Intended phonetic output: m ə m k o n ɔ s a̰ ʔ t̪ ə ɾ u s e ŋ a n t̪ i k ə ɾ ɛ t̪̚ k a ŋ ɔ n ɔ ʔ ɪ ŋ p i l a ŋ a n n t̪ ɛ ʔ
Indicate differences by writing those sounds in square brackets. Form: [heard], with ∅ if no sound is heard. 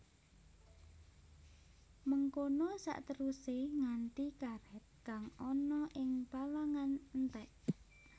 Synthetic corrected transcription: m ə [ŋ] k o n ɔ s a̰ ʔ t̪ ə ɾ u s e ŋ a n t̪ i k [a] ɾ ɛ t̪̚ k a ŋ ɔ n ɔ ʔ ɪ ŋ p [a] l a ŋ a n n t̪ ɛ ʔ